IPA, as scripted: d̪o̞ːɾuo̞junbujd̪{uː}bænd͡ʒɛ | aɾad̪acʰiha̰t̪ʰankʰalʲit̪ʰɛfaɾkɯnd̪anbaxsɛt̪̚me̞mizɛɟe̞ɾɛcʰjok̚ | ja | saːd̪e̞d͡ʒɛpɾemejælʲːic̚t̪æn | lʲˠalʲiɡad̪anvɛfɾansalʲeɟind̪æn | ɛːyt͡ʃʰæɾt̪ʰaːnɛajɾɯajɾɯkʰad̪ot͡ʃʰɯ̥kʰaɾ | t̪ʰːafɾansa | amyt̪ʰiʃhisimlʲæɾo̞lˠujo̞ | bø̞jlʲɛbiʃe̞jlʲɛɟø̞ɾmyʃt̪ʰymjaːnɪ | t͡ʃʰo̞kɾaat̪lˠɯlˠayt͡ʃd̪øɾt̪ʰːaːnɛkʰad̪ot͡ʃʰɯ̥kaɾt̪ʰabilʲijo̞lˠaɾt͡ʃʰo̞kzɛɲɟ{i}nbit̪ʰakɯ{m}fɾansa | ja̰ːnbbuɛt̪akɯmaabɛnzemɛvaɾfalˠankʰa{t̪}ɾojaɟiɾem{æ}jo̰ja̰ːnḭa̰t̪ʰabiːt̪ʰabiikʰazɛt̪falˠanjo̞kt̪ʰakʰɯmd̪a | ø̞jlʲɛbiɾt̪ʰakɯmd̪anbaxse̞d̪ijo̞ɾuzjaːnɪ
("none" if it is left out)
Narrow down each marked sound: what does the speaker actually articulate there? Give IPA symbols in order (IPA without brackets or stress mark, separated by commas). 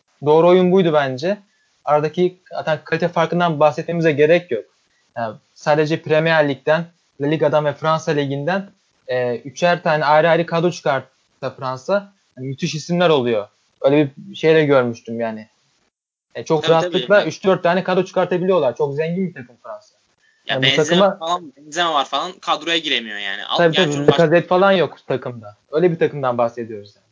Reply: u, i, m, d̪, i